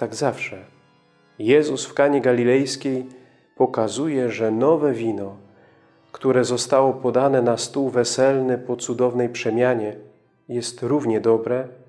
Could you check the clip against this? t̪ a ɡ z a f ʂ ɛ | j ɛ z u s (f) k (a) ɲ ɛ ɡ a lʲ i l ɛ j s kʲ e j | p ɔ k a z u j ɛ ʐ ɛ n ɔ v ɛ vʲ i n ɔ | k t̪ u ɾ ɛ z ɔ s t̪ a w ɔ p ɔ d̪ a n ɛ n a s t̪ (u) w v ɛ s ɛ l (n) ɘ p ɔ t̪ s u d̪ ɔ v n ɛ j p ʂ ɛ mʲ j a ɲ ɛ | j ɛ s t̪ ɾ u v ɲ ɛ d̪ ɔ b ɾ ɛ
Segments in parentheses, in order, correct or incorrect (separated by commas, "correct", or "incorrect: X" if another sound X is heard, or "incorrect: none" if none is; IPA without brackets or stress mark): correct, correct, correct, correct